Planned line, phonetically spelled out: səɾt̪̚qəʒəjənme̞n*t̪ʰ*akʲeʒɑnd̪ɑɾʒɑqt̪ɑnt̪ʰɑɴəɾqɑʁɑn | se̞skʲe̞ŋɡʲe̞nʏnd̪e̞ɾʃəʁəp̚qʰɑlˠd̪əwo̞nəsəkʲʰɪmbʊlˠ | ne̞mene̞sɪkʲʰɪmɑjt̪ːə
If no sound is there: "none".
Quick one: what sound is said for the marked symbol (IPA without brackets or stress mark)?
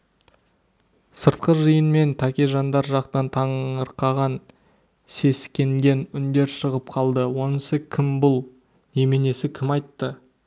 t̪ʰ